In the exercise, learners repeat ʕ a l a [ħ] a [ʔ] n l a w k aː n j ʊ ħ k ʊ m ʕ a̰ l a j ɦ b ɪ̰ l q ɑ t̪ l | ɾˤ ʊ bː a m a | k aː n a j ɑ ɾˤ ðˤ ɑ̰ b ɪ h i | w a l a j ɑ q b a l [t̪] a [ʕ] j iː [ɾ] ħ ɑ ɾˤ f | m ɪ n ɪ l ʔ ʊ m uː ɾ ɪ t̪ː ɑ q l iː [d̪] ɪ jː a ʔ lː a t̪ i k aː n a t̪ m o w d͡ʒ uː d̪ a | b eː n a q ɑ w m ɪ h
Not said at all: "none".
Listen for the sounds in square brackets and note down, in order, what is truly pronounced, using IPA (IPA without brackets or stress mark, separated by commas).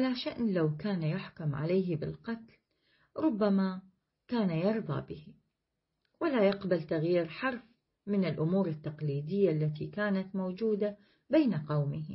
ʃ, ʔ, t̪, ɣ, ɾ, d̪